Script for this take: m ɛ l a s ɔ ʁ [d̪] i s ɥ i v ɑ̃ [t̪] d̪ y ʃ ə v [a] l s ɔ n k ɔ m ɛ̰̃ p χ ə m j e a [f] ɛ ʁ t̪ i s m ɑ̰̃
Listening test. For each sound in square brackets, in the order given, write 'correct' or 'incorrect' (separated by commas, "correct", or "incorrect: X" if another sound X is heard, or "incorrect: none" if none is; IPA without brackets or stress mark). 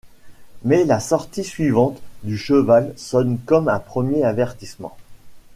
incorrect: t̪, correct, correct, incorrect: v